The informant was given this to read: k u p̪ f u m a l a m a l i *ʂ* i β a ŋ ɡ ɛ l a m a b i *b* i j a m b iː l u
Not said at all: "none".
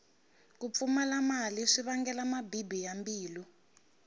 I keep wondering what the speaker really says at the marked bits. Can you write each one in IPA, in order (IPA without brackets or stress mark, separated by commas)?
ʂ, b